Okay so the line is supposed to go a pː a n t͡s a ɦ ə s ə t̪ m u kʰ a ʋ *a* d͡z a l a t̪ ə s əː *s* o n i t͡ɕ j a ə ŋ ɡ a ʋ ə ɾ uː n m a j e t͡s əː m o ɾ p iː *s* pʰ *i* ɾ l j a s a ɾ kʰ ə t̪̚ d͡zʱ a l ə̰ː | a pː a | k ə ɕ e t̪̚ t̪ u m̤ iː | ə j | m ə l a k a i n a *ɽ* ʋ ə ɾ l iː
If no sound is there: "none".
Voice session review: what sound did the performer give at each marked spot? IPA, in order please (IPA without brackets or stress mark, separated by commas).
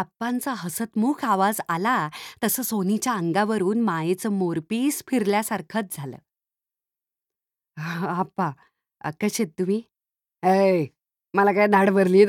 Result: a, s, s, i, ɽ